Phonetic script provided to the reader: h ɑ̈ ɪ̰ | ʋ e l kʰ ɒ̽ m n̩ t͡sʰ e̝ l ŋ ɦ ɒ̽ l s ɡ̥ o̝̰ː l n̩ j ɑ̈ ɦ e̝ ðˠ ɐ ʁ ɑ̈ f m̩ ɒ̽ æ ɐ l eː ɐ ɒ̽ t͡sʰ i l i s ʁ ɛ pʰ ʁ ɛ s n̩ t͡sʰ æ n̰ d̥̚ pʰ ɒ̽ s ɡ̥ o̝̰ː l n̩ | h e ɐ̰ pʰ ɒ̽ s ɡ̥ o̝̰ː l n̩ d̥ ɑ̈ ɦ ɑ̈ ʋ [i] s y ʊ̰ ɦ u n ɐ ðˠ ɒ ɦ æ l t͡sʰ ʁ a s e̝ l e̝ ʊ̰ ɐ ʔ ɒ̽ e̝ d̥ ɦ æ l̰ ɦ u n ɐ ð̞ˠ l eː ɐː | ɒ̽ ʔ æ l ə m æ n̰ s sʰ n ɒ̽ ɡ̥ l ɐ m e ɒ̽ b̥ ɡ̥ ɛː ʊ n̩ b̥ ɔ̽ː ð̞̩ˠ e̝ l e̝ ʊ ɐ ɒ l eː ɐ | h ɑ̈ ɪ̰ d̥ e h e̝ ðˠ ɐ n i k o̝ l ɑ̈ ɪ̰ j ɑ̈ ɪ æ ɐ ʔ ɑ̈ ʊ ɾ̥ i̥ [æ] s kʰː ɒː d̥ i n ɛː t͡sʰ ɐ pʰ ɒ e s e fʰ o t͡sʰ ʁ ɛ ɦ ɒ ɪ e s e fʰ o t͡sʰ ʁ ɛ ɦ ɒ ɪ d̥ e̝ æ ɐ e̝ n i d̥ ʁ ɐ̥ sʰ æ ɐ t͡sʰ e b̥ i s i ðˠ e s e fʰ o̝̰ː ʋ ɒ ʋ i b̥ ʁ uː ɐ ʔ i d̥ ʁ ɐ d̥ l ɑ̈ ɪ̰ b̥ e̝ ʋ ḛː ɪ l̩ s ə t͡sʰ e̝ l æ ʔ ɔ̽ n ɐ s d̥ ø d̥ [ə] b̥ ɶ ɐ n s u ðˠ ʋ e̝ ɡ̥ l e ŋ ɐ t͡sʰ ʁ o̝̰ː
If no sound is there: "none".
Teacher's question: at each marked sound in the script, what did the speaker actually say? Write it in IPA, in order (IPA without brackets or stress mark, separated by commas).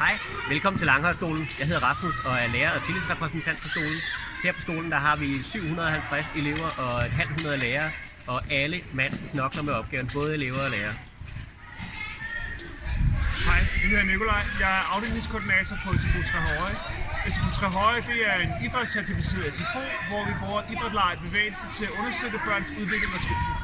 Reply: i, i, ə